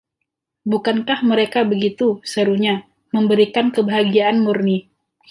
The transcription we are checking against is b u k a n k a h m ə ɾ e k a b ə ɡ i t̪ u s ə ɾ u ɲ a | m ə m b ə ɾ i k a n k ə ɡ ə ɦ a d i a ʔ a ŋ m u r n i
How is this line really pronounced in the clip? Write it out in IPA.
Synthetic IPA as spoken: b u k a n k a h m ə ɾ e k a b ə ɡ i t̪ u s ə ɾ u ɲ a | m ə m b ə ɾ i k a n k ə b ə ɦ a ɡ i a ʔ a n m u r n i